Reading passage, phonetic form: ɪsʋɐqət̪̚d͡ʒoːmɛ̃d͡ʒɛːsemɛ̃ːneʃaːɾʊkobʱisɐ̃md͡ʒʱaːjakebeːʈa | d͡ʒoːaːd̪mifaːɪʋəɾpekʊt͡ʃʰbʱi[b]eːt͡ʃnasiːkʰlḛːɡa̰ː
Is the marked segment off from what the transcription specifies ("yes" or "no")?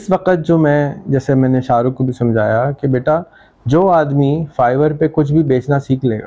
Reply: no